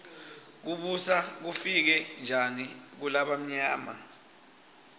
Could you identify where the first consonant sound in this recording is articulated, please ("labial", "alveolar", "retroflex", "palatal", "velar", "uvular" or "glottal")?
velar